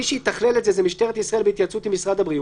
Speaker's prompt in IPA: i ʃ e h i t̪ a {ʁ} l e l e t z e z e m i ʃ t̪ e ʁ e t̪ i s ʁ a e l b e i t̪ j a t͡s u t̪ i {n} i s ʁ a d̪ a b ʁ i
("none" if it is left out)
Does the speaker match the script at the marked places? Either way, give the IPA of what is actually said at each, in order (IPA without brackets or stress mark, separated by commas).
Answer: χ, m